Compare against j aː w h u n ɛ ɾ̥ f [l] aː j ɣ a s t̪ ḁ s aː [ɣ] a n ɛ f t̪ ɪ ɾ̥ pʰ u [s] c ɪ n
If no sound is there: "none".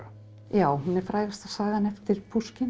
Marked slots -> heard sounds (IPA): ɾ, ɣ, s

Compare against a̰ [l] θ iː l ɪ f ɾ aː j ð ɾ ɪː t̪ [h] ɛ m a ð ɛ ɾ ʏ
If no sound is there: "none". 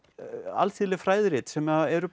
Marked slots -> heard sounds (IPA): l, s

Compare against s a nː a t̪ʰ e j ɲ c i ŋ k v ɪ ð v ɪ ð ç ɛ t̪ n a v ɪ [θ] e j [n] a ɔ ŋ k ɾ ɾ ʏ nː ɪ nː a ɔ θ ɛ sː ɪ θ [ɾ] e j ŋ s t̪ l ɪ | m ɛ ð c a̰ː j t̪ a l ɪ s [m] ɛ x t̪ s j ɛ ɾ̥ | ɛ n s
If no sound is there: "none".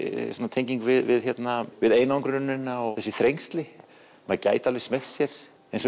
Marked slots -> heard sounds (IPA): ð, n, ɾ, m

